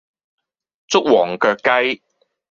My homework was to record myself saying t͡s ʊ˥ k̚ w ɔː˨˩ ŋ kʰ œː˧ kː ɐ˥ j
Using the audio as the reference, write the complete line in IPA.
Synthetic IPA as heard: t͡s ʊ˥ k̚ w ɔː˨˩ ŋ k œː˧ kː ɐ˥ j

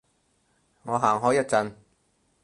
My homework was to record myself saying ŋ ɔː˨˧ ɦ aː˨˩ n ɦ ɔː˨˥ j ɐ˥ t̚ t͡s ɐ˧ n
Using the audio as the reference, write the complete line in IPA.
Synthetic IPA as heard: ŋ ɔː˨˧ ɦ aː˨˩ ŋ ɦ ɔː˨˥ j ɐ˥ t̚ t͡s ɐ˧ n

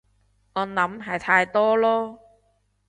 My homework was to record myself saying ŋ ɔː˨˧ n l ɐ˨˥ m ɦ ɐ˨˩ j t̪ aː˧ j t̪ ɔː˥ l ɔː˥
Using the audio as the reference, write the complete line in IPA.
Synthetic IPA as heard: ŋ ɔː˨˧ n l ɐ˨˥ m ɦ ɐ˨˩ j t̪ʰ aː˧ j t̪ ɔː˥ l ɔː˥

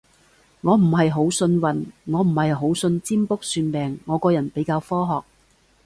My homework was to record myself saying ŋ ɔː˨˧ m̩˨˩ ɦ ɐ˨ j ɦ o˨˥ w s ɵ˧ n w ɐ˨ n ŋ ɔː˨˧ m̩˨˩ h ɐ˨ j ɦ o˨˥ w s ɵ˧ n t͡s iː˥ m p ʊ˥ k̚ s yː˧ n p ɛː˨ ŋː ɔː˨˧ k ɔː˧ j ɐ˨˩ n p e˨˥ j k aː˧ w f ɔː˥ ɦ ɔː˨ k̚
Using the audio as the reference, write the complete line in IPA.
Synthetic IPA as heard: ŋ ɔː˨˧ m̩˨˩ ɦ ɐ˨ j ɦ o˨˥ w s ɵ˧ n w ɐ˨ n ŋ ɔː˨˧ m̩˨˩ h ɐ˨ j ɦ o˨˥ w s ɵ˧ n t͡s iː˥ m p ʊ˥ k̚ s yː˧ n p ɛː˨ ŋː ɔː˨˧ k ɔː˧ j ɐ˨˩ n p e˨˥ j k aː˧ w f ɔː˥ ɦ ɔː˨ k̚

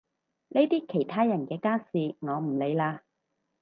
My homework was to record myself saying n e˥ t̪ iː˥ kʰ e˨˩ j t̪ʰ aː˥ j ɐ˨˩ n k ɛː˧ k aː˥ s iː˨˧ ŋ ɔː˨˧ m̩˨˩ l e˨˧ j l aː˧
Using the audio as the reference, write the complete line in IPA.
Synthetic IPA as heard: n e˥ t̪ iː˥ kʰ e˨˩ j t̪ʰ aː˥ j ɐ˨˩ n k ɛː˧ k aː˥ s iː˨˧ ŋ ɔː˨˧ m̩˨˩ l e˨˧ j l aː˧

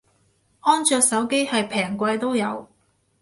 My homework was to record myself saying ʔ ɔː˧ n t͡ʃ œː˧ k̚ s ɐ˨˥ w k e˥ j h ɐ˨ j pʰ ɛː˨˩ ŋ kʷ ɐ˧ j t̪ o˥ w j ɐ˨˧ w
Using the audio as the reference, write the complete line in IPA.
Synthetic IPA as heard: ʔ ɔː˥ n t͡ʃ œː˧ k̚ s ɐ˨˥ w k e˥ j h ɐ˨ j pʰ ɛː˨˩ ŋ kʷ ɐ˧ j t̪ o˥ w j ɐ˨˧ w

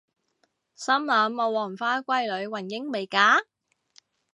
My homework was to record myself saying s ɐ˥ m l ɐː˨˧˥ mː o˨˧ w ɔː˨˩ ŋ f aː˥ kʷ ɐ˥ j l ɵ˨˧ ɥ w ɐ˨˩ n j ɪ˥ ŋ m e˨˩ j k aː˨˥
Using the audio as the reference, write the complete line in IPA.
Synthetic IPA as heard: s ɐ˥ m l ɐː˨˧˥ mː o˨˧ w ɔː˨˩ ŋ f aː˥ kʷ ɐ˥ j l ɵ˨˧ ɥ w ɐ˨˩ n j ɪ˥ ŋ m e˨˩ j k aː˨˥

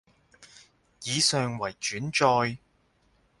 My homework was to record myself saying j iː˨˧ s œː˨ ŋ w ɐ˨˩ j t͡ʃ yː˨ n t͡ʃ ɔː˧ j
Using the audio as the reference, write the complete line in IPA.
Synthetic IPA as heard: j iː˨˧ s œː˨ ŋ w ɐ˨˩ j t͡ʃ yː˨˥ n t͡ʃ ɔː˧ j

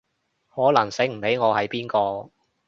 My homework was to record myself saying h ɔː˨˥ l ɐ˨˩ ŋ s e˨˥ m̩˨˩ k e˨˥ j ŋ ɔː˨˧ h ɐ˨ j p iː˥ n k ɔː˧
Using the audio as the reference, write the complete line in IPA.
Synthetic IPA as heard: h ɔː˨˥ l ɐ˨˩ ŋ s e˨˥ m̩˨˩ p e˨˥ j ŋ ɔː˨˧ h ɐ˨ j p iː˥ n k ɔː˧

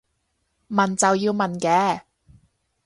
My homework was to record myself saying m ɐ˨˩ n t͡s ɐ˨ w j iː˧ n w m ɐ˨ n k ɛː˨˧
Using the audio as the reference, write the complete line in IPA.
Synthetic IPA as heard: m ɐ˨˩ n t͡s ɐ˨ w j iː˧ w m ɐ˨ n k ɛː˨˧

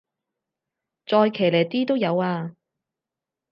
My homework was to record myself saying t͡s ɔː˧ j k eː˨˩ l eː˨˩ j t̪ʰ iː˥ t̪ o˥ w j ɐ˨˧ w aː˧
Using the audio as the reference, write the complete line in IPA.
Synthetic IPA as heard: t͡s ɔː˧ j kʰ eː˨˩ l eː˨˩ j t̪ iː˥ t̪ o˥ w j ɐ˨˧ w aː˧

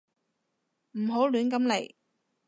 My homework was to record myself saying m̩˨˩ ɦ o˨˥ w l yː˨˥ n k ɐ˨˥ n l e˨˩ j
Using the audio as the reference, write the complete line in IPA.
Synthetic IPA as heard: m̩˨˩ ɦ o˨˥ w l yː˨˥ n k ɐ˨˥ m l e˨˩ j

